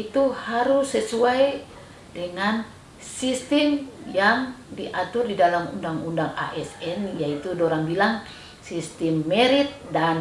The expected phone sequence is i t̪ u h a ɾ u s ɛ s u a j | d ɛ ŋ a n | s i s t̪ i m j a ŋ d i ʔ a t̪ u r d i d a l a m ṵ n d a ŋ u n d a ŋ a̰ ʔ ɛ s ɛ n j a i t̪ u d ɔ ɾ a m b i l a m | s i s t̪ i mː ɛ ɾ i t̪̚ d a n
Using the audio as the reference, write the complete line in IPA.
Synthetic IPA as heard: i t̪ u h a ɾ u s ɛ s u a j | d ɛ ŋ a n | s i s t̪ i m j a ŋ d i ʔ a t̪ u r d i d a l a m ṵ n d a ŋ u n d a ŋ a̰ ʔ ɛ s ɛ n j a i t̪ u d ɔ ɾ a ŋ b i l a ŋ | s i s t̪ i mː ɛ ɾ i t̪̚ d a n